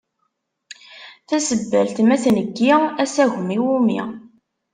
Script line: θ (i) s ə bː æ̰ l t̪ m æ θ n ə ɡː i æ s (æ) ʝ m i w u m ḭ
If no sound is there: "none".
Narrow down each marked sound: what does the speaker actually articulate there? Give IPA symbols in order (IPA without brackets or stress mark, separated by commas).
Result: æ, æ